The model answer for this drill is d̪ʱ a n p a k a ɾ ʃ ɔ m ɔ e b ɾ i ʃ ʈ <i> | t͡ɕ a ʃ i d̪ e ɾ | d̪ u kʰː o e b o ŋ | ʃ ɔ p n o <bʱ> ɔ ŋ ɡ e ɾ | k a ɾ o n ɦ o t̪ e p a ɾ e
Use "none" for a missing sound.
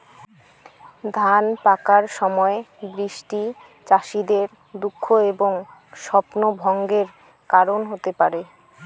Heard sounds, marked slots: i, bʱ

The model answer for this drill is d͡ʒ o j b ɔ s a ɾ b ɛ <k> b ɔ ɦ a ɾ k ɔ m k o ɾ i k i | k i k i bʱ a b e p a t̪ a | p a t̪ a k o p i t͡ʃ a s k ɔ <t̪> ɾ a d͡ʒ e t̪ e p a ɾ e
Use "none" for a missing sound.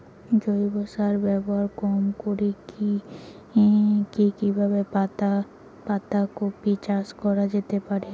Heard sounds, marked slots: none, none

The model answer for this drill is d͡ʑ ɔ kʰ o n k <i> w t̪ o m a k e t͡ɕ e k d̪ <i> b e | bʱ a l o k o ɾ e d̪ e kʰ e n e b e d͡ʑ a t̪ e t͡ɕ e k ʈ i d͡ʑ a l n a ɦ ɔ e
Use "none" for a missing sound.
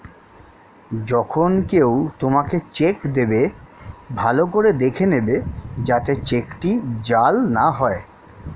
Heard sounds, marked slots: e, e

